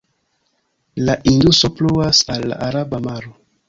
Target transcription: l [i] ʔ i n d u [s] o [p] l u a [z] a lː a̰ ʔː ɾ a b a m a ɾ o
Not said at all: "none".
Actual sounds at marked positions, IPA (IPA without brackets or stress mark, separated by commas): a, s, p, s